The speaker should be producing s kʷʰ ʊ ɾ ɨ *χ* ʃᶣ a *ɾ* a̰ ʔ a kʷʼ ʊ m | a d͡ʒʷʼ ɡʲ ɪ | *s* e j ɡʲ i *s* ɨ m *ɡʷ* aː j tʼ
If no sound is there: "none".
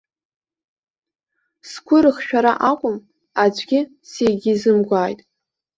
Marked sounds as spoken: χ, ɾ, s, z, ɡʷ

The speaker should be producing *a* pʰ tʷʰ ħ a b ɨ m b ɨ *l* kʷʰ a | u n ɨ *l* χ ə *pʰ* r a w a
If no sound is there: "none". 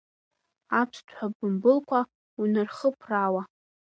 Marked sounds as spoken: a, l, r, pʰ

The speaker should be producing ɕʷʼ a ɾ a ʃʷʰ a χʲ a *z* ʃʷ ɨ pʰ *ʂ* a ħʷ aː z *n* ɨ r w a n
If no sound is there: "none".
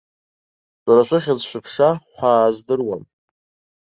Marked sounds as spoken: z, ʂ, d

